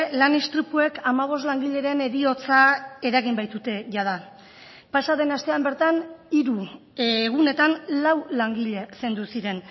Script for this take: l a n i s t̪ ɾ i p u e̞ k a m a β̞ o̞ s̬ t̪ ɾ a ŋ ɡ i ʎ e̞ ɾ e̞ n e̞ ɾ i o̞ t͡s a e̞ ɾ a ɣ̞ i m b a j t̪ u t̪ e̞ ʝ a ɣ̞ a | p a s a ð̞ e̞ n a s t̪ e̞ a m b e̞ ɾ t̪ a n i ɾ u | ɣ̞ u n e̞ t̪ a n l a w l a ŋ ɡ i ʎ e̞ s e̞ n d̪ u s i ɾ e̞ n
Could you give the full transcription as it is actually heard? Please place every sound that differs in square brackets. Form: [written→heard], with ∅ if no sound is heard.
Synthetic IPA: l a n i s t̪ ɾ i p u e̞ k a m a β̞ o̞ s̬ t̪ [ɾ→l] a ŋ ɡ i ʎ e̞ ɾ e̞ n e̞ ɾ i o̞ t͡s a e̞ ɾ a ɣ̞ i m b a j t̪ u t̪ e̞ ʝ a [ɣ̞→ð̞] a | p a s a ð̞ e̞ n a s t̪ e̞ a m b e̞ ɾ t̪ a n i ɾ u | ɣ̞ u n e̞ t̪ a n l a w l a ŋ ɡ i ʎ e̞ s e̞ n d̪ u s i ɾ e̞ n